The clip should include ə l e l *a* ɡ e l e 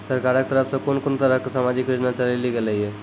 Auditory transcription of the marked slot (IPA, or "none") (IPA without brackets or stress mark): i